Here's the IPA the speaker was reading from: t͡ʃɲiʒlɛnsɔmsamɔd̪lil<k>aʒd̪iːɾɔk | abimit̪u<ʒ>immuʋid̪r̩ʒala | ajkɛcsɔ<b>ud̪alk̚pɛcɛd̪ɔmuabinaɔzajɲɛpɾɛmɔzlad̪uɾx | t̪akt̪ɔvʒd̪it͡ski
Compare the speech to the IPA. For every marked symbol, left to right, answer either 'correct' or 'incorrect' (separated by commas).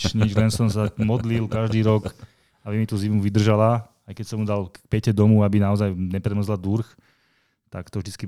correct, incorrect, incorrect